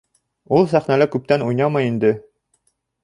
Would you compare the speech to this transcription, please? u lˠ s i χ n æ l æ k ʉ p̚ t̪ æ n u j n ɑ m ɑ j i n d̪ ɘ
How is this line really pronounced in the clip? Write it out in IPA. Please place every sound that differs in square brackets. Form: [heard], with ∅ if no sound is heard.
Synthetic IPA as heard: u lˠ s [æ] χ n æ l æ k ʉ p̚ t̪ æ n u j n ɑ m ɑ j i n d̪ ɘ